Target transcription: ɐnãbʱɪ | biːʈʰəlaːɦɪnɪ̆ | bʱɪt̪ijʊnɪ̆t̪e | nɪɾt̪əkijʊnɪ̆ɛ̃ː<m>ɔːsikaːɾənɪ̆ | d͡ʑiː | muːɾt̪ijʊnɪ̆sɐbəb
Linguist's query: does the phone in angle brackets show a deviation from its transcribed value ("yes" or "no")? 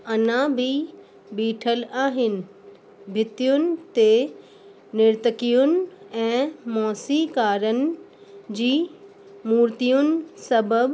no